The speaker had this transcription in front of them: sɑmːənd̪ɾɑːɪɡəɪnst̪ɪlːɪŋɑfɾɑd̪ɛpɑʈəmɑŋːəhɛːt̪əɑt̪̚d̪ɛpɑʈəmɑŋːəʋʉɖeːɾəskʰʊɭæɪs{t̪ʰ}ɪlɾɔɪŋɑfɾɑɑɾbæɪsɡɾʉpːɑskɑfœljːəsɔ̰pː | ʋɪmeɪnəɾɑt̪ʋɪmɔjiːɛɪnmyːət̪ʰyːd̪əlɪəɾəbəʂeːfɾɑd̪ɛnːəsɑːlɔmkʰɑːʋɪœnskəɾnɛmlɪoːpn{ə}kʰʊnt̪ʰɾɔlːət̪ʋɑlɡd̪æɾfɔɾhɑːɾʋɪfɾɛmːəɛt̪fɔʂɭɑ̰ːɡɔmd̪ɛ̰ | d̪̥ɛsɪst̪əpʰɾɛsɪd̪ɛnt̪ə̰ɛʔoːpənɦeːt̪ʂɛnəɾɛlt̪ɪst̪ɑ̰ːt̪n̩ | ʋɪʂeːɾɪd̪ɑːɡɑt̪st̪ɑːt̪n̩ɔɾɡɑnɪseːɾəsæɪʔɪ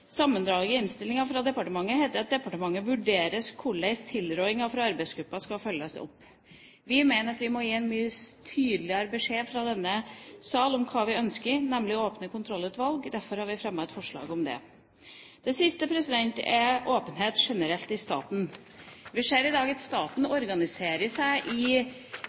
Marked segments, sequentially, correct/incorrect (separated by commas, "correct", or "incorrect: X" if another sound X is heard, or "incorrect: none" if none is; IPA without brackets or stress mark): correct, correct